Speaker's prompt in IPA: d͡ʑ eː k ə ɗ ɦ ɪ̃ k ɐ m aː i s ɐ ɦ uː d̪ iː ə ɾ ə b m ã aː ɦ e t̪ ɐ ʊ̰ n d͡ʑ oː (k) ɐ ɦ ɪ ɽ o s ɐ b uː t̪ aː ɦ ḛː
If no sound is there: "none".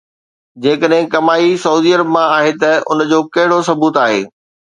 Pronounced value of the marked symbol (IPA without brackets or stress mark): k